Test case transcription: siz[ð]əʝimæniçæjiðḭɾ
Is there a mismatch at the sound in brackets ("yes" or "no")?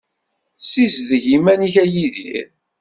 no